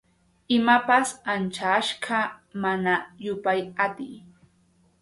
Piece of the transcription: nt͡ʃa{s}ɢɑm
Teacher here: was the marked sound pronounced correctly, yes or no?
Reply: no